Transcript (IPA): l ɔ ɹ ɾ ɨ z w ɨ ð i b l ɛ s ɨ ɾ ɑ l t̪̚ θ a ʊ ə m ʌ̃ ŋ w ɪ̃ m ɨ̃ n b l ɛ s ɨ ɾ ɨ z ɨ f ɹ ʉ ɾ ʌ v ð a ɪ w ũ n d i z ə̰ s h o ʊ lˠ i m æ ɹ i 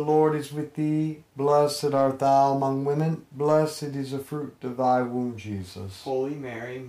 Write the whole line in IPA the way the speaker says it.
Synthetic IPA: l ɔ ɹ ɾ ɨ z w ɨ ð i b l ɛ s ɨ ɾ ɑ ɹ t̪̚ ð a ʊ ə m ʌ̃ ŋ w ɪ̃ m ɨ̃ n b l ɛ s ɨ ɾ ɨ z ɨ f ɹ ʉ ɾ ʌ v ð a ɪ w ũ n d͡ʒ i z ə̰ s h o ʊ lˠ i m ɛ ɹ i